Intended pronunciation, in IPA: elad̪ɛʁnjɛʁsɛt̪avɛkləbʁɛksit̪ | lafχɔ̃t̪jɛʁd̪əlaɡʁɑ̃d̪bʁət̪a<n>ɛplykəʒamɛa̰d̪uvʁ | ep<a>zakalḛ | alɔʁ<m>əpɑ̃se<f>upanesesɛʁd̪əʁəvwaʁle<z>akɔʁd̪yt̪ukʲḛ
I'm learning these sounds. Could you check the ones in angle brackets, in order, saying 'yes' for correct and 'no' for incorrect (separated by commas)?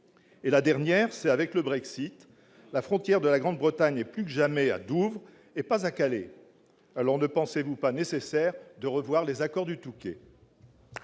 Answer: no, yes, no, no, yes